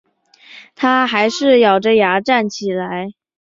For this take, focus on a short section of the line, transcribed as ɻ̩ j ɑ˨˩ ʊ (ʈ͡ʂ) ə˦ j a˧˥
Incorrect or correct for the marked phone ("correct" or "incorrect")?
correct